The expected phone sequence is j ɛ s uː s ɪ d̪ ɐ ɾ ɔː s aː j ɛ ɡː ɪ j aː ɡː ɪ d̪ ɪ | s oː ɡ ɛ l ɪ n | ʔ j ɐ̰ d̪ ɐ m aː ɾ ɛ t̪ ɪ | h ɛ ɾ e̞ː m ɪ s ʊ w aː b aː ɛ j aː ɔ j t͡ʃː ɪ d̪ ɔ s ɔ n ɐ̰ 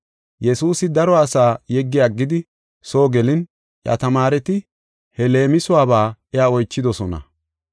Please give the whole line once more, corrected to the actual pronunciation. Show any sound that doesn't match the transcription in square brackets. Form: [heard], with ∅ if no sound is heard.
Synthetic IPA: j ɛ s uː s ɪ d̪ ɐ ɾ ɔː s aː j ɛ ɡː ɪ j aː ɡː ɪ d̪ ɪ | s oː ɡ ɛ l ɪ n | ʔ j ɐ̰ [t̪] ɐ m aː ɾ ɛ t̪ ɪ | h ɛ [l] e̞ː m ɪ s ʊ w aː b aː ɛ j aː ɔ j t͡ʃː ɪ d̪ ɔ s ɔ n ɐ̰